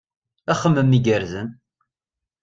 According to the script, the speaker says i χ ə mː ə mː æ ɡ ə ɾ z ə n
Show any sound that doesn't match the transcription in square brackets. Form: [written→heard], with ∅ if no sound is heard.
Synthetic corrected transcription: [i→æ] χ ə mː ə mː [æ→i] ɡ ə ɾ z ə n